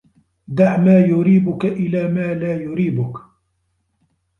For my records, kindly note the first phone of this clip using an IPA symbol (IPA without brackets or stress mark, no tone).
d̪